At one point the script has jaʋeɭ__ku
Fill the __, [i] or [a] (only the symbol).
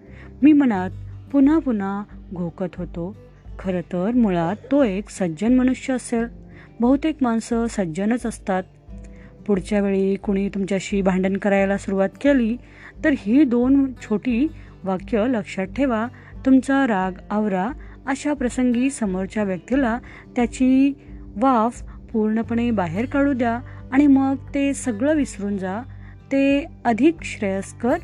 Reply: i